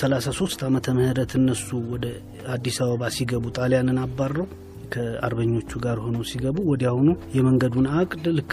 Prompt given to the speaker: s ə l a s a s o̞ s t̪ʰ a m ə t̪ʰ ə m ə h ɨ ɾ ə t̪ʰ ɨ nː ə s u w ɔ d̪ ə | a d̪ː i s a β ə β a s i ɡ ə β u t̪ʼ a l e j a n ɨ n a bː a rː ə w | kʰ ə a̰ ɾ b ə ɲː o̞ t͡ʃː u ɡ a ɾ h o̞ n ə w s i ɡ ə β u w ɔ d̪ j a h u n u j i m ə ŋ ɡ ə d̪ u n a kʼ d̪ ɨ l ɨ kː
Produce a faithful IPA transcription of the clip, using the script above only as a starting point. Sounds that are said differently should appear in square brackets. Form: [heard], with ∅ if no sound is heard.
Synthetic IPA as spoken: s ə l a s a s o̞ s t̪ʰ a m ə t̪ʰ ə m ə h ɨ ɾ ə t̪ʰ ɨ nː ə s u w ɔ d̪ ə | a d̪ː i s a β ə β a s i ɡ ə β u t̪ʼ a l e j a n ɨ n a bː a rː ə w | kʰ ə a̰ ɾ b ə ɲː o̞ t͡ʃː u ɡ a ɾ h o̞ n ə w s i ɡ ə β u w ɔ d̪ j a h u n u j [ɛ] m ə ŋ ɡ ə d̪ u n a kʼ d̪ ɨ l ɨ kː